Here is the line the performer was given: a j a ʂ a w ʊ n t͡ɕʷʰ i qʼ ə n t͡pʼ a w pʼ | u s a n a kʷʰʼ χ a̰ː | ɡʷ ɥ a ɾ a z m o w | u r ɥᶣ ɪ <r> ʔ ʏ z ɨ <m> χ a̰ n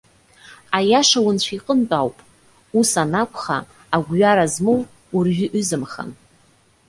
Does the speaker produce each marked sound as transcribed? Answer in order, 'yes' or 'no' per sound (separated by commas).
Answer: no, yes